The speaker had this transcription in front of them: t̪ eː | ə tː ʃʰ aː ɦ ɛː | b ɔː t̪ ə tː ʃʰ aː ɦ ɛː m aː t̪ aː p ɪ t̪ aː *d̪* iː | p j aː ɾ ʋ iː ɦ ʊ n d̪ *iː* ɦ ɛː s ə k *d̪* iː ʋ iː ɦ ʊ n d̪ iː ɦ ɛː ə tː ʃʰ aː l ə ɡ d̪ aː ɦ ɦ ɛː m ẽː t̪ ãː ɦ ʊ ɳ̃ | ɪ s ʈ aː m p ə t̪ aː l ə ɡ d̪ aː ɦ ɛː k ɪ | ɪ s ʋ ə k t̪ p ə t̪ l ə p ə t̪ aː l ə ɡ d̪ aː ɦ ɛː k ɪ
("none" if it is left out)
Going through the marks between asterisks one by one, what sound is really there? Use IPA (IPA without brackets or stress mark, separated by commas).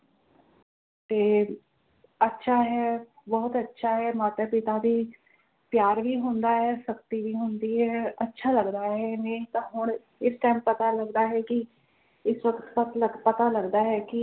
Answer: d̪, aː, t̪